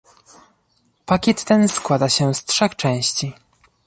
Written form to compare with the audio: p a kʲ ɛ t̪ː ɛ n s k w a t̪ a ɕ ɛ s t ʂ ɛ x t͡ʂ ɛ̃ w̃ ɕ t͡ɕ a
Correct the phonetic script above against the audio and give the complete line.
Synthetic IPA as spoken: p a kʲ ɛ t̪ː ɛ n s k w a d̪ a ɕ ɛ s t ʂ ɛ x t͡ʂ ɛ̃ w̃ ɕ t͡ɕ i